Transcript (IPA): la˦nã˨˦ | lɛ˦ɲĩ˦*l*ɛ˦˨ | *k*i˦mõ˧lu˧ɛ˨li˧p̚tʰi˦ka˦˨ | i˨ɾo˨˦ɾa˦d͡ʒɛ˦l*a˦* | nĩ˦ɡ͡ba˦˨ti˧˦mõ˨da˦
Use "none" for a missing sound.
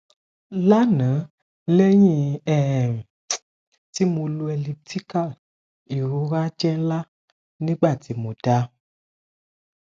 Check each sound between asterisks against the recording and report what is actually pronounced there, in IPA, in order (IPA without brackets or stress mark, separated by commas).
none, t, a˦